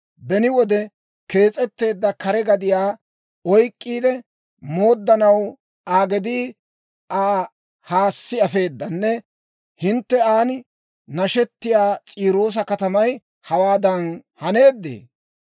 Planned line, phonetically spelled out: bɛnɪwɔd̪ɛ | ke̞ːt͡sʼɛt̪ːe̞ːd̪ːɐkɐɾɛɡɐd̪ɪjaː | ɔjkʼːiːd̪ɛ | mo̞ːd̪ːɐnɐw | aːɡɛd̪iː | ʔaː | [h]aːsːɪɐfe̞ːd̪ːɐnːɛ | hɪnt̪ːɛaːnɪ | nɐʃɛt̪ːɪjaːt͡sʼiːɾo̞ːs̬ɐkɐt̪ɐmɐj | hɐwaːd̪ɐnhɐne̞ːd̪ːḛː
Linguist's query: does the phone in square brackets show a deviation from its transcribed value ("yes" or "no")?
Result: no